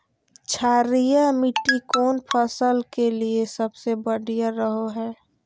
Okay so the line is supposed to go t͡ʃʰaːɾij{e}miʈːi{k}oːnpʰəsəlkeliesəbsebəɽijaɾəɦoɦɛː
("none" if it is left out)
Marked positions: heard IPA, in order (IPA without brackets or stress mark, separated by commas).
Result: a, k